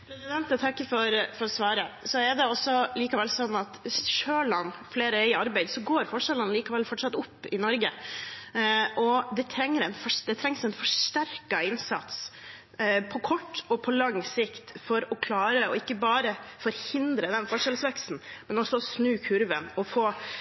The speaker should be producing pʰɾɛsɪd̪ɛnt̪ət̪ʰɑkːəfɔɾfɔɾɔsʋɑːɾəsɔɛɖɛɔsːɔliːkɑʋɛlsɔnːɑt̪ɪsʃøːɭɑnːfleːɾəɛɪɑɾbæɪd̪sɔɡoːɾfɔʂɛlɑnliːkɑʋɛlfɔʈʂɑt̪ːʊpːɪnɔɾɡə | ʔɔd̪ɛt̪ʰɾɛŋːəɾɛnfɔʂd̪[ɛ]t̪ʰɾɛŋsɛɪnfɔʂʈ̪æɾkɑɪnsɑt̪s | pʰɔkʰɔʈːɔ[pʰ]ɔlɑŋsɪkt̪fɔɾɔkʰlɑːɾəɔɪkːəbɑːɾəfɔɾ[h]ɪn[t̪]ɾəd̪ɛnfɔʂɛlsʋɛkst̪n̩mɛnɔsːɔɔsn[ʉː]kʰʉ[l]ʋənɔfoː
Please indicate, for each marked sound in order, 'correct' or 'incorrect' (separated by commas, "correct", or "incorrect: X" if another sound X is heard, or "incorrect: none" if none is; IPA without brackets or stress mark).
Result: correct, correct, correct, incorrect: d̪, correct, incorrect: ɾ